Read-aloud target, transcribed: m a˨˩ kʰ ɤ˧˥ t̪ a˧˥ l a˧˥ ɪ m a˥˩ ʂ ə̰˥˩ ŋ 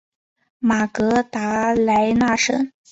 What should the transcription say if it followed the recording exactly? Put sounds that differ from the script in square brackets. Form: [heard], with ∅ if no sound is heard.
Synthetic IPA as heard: m a˨˩ [k] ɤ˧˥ t̪ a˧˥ l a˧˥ ɪ [n] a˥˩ ʂ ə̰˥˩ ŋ